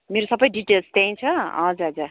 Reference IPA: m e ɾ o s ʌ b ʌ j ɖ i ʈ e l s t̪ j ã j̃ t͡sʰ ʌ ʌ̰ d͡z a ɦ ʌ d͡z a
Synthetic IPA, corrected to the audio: m e ɾ o s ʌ b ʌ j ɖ i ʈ e l s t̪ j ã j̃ t͡sʰ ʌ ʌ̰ d͡z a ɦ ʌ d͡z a